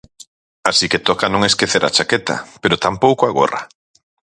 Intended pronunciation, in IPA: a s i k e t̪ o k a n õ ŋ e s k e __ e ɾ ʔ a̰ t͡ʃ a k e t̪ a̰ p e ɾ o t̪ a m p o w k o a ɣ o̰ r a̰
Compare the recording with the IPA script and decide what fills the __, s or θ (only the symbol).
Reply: θ